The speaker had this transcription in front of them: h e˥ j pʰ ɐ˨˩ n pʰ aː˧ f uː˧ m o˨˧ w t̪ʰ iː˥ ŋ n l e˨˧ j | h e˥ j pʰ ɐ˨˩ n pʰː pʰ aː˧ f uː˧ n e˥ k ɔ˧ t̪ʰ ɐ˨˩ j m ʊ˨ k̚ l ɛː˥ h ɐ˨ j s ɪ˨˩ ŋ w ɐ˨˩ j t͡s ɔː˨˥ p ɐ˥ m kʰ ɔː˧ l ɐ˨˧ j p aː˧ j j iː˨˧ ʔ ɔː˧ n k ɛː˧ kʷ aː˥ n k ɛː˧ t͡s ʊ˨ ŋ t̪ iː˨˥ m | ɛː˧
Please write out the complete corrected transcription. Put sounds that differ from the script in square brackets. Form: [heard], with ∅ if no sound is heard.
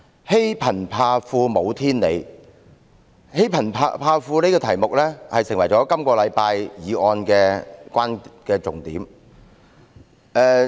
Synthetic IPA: h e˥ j pʰ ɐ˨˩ n pʰ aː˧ f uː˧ m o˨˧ w t̪ʰ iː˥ [∅] n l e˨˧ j | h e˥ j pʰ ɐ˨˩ n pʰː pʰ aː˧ f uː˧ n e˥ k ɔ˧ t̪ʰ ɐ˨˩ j m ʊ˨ k̚ l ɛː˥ h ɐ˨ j s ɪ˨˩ ŋ w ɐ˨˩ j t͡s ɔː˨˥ [k] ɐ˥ m [k] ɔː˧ l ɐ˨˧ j p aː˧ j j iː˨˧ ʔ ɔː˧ n k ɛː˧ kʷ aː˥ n k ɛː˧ t͡s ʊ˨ ŋ t̪ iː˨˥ m | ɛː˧